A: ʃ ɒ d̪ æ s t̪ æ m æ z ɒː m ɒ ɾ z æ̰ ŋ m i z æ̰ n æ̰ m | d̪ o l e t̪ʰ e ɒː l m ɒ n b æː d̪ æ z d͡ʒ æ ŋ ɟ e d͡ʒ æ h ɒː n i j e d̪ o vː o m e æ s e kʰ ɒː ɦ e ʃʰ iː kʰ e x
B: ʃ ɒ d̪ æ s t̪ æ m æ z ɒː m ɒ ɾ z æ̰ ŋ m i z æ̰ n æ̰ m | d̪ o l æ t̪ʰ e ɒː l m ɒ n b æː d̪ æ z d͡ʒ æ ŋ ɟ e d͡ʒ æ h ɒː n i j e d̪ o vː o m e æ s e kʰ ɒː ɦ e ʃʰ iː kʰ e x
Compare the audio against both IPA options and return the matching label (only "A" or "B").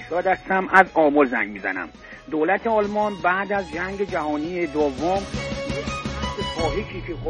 B